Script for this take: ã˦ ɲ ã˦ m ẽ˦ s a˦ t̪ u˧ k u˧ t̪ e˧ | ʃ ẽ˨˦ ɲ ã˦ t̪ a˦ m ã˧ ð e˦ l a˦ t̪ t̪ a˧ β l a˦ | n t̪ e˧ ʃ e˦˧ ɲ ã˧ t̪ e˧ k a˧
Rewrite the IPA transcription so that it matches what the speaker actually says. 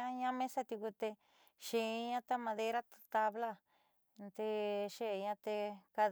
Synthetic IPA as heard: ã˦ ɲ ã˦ m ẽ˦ s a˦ t̪ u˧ k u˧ t̪ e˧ | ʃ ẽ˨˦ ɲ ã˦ t̪ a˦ m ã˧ ð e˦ ɾ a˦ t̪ t̪ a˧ β l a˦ | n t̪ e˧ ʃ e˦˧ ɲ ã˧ t̪ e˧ k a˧